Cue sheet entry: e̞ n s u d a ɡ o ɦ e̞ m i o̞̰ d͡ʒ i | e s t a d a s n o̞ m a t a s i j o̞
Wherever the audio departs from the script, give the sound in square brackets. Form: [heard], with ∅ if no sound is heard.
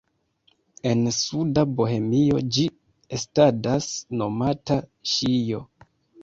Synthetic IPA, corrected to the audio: e̞ n s u d a [b] o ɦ e̞ m i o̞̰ d͡ʒ i | e s t a d a s n o̞ m a t a [ʃ] i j o̞